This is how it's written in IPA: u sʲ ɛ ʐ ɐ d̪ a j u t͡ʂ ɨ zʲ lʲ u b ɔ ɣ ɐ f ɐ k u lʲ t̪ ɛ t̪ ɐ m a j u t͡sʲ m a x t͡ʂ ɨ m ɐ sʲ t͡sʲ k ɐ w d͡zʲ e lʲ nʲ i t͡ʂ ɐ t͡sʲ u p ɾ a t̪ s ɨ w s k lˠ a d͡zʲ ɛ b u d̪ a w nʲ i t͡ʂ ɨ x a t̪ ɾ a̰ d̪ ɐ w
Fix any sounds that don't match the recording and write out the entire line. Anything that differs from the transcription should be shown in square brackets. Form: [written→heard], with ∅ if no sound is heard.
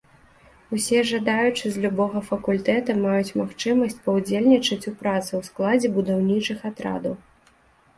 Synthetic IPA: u sʲ ɛ ʐ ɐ d̪ a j u t͡ʂ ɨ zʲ lʲ u b ɔ ɣ ɐ f ɐ k u lʲ t̪ ɛ t̪ ɐ m a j u t͡sʲ m a x t͡ʂ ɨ m ɐ sʲ t͡sʲ [k→p] ɐ w d͡zʲ e lʲ nʲ i t͡ʂ ɐ t͡sʲ u p ɾ a t̪ s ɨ w s k lˠ a d͡zʲ ɛ b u d̪ a w nʲ i t͡ʂ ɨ x a t̪ ɾ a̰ d̪ ɐ w

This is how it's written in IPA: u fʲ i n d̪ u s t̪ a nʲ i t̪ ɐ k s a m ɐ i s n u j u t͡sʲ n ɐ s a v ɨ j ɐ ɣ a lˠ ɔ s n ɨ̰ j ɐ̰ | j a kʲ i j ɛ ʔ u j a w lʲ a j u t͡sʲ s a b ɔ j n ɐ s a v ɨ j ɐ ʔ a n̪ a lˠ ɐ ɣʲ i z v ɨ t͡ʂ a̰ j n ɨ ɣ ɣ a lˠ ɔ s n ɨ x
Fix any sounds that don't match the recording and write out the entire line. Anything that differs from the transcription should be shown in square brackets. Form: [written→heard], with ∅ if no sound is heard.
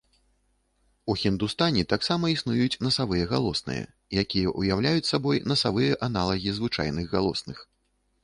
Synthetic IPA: u [fʲ→xʲ] i n d̪ u s t̪ a nʲ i t̪ [ɐ→a] k s a m ɐ i s n u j u t͡sʲ n ɐ s a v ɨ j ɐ ɣ a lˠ ɔ s n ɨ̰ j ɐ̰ | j a kʲ i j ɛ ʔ u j a w lʲ a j u t͡sʲ s a b ɔ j n ɐ s a v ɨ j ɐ ʔ a n̪ a lˠ ɐ ɣʲ i z v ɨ t͡ʂ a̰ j n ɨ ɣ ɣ a lˠ ɔ s n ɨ x

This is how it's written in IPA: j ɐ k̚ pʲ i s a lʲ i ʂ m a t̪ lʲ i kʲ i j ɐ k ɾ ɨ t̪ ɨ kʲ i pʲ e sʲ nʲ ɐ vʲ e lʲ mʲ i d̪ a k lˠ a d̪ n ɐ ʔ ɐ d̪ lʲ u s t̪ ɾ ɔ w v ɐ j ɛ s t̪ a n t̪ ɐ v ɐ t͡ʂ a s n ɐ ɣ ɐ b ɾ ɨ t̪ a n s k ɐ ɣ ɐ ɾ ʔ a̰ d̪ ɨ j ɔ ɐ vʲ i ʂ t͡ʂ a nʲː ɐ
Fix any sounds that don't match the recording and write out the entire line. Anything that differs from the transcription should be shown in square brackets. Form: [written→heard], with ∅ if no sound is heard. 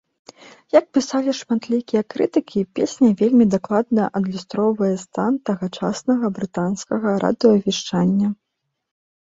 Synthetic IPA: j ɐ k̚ pʲ i s a lʲ i ʂ m a t̪ lʲ i kʲ i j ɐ k ɾ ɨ t̪ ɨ kʲ i pʲ e sʲ nʲ ɐ vʲ e lʲ mʲ i d̪ a k lˠ a d̪ n ɐ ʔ ɐ d̪ lʲ u s t̪ ɾ ɔ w v ɐ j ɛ s t̪ a n t̪ ɐ [v→ɣ] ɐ t͡ʂ a s n ɐ ɣ ɐ b ɾ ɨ t̪ a n s k ɐ ɣ ɐ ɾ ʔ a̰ d̪ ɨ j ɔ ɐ vʲ i ʂ t͡ʂ a nʲː ɐ

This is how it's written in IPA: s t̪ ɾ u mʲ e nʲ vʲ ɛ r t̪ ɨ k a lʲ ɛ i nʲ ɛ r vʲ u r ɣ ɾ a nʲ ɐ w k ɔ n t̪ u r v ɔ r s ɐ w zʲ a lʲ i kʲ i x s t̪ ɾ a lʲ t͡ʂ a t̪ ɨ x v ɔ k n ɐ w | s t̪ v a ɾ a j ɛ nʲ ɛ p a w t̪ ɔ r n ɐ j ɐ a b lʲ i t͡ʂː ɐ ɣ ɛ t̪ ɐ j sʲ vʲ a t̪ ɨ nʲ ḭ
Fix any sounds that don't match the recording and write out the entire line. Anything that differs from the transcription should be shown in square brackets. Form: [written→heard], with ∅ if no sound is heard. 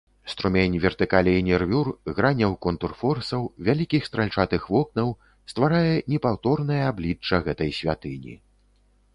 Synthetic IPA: s t̪ ɾ u mʲ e nʲ vʲ ɛ r t̪ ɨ k a lʲ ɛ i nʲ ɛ r vʲ u r ɣ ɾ a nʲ ɐ w k ɔ n t̪ u r [v→f] ɔ r s ɐ w [zʲ→vʲ] a lʲ i kʲ i x s t̪ ɾ a lʲ t͡ʂ a t̪ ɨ x v ɔ k n ɐ w | s t̪ v a ɾ a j ɛ nʲ ɛ p a w t̪ ɔ r n ɐ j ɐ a b lʲ i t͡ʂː ɐ ɣ ɛ t̪ ɐ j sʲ vʲ a t̪ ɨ nʲ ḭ

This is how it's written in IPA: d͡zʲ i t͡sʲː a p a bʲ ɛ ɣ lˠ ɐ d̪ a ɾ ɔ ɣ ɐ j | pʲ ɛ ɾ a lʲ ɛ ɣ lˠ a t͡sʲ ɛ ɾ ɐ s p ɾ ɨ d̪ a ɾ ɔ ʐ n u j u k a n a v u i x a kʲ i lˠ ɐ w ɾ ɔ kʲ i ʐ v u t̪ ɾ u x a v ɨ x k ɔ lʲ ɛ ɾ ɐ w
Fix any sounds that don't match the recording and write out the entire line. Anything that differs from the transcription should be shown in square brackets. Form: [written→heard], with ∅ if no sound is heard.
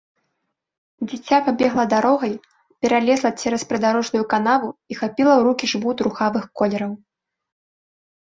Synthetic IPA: d͡zʲ i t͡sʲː a p a bʲ ɛ ɣ lˠ ɐ d̪ a ɾ ɔ ɣ ɐ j | pʲ ɛ ɾ a lʲ ɛ [ɣ→z] lˠ [a→ɐ] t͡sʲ ɛ ɾ ɐ s p ɾ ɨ d̪ a ɾ ɔ ʐ n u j u k a n a v u i x a [kʲ→pʲ] i lˠ ɐ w ɾ [ɔ→u] kʲ i ʐ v u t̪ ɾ u x a v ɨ x k ɔ lʲ ɛ ɾ ɐ w

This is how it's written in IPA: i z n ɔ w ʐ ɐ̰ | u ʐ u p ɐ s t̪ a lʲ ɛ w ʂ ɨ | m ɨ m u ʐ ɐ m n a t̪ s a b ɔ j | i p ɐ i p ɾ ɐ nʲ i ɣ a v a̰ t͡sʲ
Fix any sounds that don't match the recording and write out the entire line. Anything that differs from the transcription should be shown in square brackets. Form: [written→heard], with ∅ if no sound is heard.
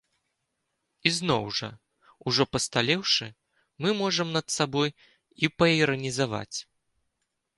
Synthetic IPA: i z n ɔ w ʐ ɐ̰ | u ʐ [u→ɔ] p ɐ s t̪ a lʲ ɛ w ʂ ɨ | m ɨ m [u→ɔ] ʐ ɐ m n [a→ɐ] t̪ s a b ɔ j | i p ɐ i [p→∅] ɾ ɐ nʲ i [ɣ→z] a v a̰ t͡sʲ

